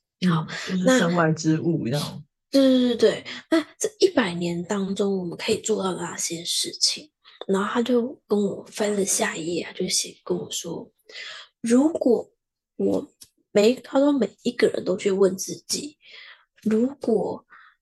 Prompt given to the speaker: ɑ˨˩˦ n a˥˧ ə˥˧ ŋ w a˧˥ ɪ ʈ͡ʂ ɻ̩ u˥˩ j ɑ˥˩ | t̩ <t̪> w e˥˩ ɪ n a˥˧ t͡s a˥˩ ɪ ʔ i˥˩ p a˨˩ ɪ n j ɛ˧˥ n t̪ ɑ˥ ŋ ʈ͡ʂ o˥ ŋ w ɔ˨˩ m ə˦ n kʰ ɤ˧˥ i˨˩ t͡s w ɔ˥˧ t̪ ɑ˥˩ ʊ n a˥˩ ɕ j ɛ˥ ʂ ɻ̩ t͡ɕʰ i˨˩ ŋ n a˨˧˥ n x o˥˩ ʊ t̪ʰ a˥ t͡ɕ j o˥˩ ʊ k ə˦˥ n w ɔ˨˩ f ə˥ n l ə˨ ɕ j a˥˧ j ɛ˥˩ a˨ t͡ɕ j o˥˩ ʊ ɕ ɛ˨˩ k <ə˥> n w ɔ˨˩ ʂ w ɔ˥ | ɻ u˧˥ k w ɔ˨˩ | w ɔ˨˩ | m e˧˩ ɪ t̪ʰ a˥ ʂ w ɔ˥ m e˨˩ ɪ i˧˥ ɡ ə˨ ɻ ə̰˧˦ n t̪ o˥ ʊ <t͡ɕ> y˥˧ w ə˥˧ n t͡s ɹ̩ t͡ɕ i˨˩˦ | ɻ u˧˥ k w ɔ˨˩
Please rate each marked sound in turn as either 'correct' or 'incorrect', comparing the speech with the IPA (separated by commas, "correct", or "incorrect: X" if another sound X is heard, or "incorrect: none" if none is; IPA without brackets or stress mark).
correct, correct, incorrect: t͡ɕʰ